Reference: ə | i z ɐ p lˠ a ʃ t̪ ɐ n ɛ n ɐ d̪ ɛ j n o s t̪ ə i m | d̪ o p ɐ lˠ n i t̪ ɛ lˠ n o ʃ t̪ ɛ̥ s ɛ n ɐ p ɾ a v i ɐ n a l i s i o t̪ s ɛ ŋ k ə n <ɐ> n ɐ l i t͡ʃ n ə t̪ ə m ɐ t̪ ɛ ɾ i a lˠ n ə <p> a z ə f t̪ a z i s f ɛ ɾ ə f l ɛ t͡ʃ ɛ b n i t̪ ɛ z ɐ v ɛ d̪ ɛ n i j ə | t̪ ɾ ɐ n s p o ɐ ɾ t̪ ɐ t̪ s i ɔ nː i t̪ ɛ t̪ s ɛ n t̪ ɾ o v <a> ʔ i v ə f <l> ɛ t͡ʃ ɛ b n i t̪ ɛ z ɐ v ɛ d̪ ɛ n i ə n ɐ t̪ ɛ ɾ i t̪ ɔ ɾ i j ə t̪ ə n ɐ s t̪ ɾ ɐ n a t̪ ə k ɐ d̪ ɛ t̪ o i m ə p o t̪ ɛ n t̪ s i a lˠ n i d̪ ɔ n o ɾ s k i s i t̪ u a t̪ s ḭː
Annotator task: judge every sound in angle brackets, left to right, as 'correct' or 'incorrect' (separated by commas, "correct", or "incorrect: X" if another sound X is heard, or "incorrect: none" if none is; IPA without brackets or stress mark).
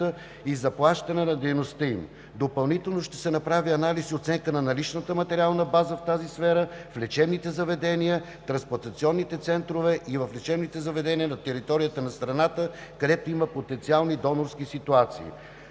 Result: correct, incorrect: b, incorrect: ɛ, correct